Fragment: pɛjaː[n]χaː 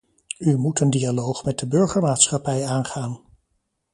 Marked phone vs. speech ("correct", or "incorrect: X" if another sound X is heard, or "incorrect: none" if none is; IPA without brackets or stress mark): correct